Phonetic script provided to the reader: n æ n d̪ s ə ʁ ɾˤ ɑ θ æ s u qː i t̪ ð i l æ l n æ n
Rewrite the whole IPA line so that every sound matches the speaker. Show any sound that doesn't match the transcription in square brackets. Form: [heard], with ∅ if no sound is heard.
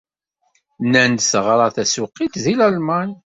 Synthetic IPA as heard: n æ n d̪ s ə ʁ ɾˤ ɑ θ æ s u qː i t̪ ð i l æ l [m] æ n